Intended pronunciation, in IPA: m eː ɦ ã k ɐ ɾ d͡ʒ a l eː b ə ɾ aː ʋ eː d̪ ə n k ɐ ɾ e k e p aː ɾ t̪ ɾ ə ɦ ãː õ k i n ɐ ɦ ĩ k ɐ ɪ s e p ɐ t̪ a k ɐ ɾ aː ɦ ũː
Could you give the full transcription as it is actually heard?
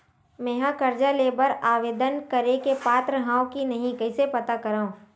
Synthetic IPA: m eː ɦ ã k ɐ ɾ d͡ʒ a l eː b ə ɾ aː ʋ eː d̪ ə n k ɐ ɾ e k e p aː t̪ ɾ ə ɦ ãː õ k i n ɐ ɦ ĩ k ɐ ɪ s e p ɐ t̪ a k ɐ ɾ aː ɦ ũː